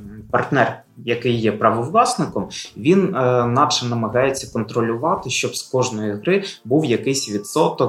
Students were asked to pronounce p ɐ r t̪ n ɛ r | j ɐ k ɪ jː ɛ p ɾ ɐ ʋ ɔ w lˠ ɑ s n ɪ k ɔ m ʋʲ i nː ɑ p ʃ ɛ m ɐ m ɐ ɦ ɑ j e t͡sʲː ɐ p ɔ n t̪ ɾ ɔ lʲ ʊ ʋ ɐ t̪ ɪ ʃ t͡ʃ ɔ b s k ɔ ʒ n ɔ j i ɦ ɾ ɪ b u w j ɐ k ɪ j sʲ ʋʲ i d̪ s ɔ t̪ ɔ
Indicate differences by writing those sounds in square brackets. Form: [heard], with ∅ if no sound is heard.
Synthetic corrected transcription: p ɐ r t̪ n ɛ r | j ɐ k ɪ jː ɛ p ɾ ɐ ʋ ɔ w lˠ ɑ s n ɪ k ɔ m ʋʲ i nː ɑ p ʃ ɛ [n] ɐ m ɐ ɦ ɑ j e t͡sʲː ɐ [k] ɔ n t̪ ɾ ɔ lʲ ʊ ʋ [ɑ] t̪ ɪ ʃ t͡ʃ ɔ b s k ɔ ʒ n ɔ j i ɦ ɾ ɪ b u w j ɐ k ɪ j sʲ ʋʲ i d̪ s ɔ t̪ ɔ